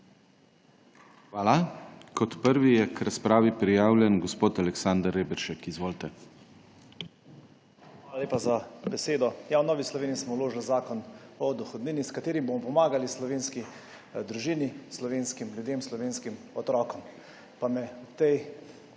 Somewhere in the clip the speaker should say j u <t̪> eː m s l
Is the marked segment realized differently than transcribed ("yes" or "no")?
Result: yes